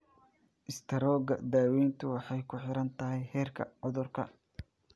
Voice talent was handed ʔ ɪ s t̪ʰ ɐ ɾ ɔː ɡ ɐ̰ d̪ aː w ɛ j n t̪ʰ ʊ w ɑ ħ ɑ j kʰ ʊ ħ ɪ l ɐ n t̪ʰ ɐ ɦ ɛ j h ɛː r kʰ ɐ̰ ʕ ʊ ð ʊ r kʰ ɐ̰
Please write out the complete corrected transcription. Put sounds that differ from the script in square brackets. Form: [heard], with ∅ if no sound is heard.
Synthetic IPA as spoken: ʔ ɪ s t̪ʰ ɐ ɾ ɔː ɡ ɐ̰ d̪ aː w ɛ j n t̪ʰ ʊ w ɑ ħ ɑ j kʰ ʊ ħ ɪ [ɾ] ɐ n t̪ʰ ɐ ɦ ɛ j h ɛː r kʰ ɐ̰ ʕ ʊ ð ʊ r kʰ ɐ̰